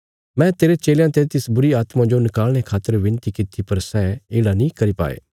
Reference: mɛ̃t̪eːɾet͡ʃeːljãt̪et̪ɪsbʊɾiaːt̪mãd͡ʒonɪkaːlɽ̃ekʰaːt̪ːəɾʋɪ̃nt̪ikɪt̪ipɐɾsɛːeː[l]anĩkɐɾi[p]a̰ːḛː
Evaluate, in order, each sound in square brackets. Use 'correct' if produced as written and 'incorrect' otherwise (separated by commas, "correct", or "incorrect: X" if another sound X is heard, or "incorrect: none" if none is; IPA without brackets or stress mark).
incorrect: ɽ, correct